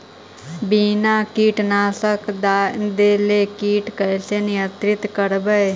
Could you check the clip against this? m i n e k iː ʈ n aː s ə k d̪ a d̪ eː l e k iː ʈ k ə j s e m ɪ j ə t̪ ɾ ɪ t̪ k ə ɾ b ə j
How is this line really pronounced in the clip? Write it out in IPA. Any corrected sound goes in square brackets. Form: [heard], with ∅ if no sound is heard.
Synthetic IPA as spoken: [b] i n [a] k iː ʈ n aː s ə k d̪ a d̪ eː l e k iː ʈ k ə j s e [n] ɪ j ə t̪ ɾ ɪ t̪ k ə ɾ b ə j